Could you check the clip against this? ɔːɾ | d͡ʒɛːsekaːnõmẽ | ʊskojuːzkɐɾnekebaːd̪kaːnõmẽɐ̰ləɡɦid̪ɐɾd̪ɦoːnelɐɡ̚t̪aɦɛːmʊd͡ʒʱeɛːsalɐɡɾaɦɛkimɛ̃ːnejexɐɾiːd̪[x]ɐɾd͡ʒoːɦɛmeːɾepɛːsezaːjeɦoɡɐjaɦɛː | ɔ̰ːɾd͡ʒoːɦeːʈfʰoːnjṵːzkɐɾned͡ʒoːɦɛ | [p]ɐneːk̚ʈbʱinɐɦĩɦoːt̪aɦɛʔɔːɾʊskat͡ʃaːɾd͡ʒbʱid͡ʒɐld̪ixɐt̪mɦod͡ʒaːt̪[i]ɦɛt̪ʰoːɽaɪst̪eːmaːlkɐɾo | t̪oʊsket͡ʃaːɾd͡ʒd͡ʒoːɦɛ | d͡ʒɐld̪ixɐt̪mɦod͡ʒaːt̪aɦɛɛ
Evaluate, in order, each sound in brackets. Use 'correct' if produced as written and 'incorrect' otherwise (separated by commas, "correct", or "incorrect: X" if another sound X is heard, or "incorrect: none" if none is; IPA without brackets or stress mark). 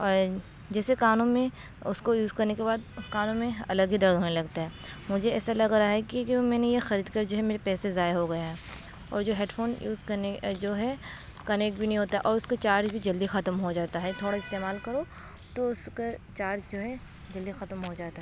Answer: incorrect: k, incorrect: k, incorrect: a